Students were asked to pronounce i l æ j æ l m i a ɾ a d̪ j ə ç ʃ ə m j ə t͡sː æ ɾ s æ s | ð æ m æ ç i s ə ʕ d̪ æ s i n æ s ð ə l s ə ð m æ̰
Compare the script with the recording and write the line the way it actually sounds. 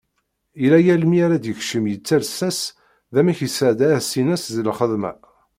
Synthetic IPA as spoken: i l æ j æ l m i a ɾ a d̪ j ə ç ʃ ə m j ə t͡sː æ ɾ s æ s | ð æ m æ ç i s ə ʕ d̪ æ s i n æ s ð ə l χ ə ð m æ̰